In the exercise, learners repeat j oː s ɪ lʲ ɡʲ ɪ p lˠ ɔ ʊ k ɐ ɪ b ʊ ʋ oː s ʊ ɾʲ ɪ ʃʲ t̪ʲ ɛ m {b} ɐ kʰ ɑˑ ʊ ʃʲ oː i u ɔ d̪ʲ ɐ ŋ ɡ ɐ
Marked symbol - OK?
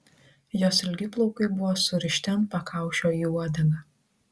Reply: no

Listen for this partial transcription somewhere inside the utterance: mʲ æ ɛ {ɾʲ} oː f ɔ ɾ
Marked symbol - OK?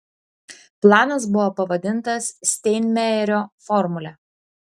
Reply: yes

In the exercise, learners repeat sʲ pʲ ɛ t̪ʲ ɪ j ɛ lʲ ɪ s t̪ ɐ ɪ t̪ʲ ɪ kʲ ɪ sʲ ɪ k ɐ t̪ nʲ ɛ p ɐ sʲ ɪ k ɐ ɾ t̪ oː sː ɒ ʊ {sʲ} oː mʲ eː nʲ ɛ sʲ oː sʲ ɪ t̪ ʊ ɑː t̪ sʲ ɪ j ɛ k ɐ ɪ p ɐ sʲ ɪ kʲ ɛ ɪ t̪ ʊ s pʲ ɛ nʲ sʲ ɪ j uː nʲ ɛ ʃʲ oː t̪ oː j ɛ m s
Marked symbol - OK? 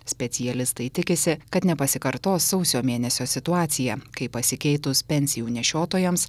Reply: yes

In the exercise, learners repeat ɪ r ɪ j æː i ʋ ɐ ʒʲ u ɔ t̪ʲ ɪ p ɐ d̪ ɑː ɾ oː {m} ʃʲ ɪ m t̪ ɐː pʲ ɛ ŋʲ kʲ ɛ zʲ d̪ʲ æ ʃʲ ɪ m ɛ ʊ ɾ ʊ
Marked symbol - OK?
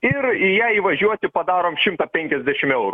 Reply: yes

